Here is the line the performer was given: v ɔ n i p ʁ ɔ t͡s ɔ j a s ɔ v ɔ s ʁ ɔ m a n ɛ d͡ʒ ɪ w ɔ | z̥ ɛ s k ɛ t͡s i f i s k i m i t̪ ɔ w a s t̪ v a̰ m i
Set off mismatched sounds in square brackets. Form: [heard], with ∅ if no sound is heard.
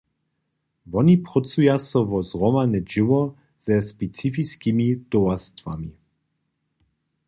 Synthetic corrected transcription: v ɔ n i p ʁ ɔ t͡s [u] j a s ɔ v ɔ [z] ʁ ɔ m a n ɛ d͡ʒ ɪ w ɔ | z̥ ɛ s [p] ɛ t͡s i f i s k i m i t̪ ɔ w a s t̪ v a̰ m i